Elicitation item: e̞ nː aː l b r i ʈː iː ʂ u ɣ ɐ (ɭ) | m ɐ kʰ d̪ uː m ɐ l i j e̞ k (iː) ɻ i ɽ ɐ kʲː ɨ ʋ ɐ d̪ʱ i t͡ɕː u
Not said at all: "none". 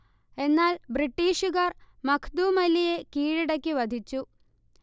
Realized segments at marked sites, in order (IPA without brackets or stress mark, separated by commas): r, iː